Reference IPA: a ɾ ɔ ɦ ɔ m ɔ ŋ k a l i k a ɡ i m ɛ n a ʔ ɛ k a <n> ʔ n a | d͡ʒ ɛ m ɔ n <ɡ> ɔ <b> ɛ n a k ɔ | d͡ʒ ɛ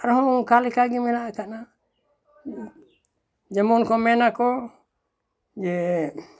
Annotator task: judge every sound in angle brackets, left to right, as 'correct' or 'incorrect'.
incorrect, incorrect, incorrect

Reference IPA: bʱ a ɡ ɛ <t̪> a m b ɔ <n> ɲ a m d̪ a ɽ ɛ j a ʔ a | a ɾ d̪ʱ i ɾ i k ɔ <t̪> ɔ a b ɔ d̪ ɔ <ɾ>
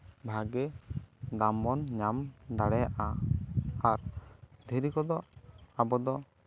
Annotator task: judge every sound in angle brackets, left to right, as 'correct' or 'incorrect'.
incorrect, correct, incorrect, incorrect

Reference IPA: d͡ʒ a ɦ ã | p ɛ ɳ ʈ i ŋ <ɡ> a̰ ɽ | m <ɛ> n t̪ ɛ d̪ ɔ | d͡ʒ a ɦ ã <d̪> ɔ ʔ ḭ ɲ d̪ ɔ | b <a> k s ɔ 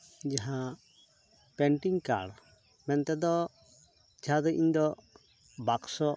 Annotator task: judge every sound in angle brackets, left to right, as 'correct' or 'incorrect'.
incorrect, correct, correct, correct

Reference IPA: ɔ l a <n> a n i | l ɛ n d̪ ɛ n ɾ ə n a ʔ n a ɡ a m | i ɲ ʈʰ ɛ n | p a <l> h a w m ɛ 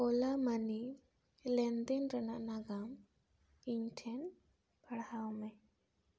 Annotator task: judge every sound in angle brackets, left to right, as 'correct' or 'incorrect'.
incorrect, incorrect

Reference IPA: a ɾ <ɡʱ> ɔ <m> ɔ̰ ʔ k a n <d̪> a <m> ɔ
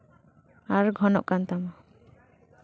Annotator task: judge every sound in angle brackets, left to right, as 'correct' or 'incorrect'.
correct, incorrect, incorrect, correct

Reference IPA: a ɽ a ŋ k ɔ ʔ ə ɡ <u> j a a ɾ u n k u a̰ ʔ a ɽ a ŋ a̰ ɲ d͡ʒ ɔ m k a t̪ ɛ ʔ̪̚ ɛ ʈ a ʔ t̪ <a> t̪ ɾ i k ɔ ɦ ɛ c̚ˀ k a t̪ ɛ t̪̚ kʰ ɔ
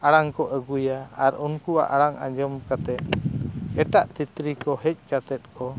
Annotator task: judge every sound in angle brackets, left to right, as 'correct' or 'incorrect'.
correct, incorrect

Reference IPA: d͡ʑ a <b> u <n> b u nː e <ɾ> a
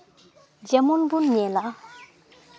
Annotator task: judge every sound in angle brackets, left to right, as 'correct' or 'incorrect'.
incorrect, correct, incorrect

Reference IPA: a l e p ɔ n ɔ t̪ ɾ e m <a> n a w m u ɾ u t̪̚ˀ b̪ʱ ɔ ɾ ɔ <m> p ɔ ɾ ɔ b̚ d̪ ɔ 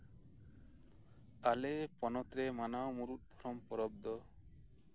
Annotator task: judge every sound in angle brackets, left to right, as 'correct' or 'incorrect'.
correct, correct

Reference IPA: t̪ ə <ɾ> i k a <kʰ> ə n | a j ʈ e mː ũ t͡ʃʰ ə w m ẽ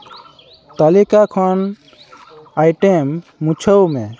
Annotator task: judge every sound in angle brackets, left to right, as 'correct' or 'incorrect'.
incorrect, correct

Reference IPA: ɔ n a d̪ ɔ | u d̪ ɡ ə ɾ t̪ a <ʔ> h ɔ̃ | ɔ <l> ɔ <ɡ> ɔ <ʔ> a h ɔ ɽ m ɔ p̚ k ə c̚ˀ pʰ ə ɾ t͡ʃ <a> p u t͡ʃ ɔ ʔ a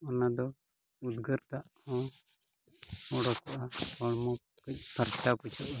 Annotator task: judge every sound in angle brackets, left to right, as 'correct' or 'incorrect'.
correct, incorrect, incorrect, correct, correct

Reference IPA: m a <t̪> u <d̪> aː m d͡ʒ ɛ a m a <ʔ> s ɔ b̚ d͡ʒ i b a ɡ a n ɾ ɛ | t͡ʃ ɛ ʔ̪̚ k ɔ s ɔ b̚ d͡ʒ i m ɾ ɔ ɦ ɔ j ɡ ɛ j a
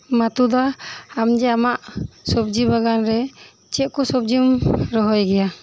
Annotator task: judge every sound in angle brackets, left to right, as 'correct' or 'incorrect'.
correct, correct, correct

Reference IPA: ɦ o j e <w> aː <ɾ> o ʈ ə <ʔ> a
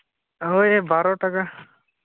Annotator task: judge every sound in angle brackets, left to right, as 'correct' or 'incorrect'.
incorrect, correct, incorrect

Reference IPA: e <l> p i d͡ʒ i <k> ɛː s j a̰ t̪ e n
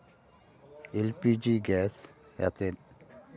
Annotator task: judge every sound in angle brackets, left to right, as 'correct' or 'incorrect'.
correct, incorrect

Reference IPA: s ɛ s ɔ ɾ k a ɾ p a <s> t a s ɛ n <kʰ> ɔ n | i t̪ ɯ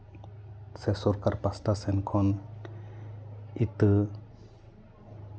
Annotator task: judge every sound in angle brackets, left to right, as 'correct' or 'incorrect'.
correct, correct

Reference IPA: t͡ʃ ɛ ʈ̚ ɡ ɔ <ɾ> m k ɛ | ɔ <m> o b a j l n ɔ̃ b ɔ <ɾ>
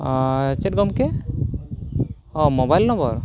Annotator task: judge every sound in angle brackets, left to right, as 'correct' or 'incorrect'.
incorrect, correct, correct

